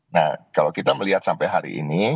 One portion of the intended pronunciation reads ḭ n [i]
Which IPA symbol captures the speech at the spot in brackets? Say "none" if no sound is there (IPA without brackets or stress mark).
i